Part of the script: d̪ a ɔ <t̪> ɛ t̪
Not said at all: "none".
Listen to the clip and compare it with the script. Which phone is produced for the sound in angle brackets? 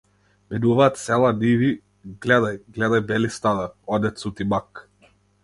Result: d̪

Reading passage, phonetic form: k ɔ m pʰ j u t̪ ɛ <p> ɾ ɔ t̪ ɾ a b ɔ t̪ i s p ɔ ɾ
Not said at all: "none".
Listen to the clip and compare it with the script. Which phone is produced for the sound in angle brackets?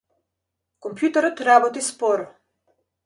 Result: none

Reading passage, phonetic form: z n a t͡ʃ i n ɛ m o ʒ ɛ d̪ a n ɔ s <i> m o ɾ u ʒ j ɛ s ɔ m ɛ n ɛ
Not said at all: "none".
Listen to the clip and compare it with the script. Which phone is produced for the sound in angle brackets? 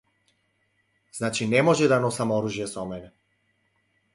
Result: a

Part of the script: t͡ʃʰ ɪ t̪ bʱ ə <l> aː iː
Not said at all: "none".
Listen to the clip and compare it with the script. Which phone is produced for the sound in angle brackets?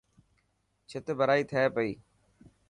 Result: ɾ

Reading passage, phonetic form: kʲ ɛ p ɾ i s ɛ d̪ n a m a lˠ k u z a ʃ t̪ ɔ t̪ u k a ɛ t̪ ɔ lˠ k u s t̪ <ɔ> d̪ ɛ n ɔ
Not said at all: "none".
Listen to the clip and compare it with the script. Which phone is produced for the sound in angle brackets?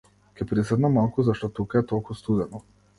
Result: u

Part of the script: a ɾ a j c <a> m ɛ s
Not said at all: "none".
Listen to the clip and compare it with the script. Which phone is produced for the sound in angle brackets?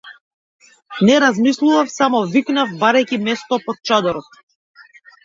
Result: i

